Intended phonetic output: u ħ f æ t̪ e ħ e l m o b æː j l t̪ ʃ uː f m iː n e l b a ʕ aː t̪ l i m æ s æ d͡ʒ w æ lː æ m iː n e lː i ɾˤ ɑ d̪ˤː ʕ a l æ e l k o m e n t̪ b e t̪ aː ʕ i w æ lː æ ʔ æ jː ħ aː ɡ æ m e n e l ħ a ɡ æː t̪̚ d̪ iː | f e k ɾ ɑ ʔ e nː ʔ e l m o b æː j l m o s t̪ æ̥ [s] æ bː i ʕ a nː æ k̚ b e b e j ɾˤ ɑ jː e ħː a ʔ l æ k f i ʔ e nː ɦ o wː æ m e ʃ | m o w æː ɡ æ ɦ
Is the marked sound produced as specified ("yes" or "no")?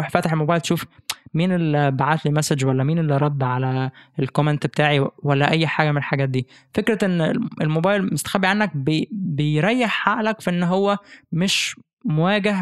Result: no